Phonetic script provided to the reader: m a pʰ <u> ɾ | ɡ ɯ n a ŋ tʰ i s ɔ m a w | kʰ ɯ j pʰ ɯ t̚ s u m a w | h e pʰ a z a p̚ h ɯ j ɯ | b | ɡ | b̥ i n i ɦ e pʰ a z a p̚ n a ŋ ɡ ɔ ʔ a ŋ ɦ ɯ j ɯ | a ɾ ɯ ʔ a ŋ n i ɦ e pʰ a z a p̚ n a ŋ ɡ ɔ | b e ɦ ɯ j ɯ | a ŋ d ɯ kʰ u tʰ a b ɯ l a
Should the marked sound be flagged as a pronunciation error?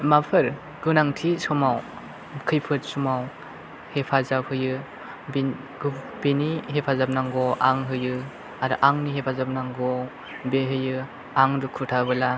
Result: yes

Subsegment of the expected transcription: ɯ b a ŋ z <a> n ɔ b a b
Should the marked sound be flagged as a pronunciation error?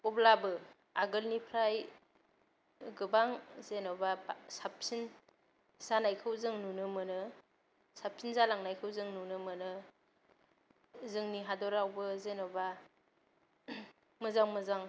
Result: yes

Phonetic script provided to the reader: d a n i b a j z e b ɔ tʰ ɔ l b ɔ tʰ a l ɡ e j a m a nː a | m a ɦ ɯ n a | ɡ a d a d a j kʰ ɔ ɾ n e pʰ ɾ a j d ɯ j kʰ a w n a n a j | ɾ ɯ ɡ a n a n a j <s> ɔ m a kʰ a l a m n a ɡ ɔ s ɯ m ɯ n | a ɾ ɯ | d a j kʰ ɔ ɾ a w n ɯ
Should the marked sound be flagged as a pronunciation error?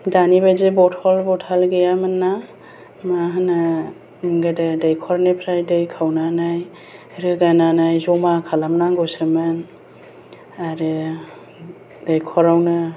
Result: yes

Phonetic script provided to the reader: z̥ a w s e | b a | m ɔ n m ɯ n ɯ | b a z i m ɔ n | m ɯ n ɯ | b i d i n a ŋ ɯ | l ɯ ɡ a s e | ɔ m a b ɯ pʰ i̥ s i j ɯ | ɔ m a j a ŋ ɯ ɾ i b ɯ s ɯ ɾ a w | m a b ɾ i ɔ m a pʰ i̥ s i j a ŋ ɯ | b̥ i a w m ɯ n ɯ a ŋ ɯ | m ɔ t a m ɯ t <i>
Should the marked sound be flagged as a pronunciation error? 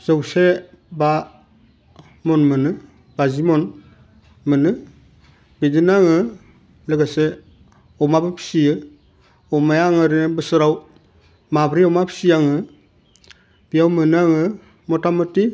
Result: no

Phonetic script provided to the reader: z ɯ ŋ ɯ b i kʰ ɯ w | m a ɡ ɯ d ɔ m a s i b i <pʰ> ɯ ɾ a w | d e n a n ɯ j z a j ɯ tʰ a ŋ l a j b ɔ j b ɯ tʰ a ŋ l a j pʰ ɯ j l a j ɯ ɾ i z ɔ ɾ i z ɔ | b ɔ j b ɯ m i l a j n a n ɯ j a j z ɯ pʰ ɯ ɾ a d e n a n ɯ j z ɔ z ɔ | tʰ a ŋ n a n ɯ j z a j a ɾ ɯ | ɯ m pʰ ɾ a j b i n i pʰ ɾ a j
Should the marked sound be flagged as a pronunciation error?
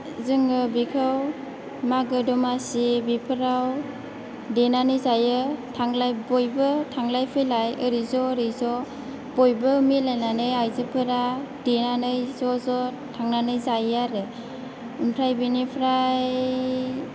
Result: no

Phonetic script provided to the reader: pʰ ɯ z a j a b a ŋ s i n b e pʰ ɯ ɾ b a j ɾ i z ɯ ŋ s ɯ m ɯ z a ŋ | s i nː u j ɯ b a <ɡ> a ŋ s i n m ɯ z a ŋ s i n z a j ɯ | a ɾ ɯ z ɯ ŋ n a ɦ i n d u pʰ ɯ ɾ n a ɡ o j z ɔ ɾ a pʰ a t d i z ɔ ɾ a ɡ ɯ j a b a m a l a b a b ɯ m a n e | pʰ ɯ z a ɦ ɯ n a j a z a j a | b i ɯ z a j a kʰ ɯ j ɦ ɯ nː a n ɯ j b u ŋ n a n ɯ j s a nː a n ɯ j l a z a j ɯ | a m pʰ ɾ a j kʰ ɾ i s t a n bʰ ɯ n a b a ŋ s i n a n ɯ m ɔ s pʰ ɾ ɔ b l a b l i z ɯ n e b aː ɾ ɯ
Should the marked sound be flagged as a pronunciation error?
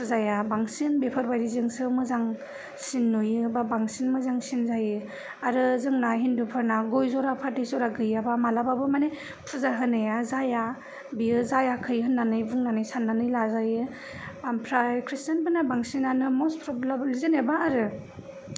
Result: yes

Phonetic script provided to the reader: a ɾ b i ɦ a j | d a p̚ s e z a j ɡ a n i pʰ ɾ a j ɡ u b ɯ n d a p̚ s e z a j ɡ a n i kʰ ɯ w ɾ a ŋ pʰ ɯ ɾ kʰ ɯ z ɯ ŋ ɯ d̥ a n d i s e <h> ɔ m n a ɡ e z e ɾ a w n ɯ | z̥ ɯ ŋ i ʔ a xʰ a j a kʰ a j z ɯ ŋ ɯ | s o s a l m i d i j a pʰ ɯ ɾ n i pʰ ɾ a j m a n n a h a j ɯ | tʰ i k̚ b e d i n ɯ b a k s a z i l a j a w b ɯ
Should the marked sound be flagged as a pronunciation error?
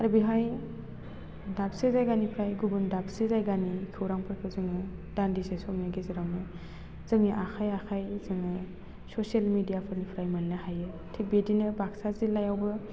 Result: yes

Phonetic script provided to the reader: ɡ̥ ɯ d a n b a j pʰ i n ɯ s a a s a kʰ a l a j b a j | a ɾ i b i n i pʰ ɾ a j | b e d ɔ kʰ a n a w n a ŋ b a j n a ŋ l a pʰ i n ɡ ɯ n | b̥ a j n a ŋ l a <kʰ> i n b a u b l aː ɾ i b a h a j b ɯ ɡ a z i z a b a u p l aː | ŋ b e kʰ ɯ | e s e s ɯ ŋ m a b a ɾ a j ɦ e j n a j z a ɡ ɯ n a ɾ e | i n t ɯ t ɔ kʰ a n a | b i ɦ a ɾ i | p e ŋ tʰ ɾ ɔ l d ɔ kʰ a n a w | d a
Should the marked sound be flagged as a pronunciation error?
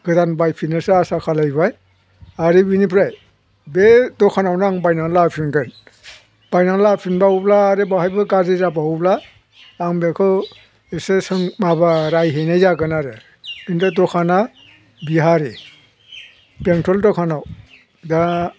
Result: yes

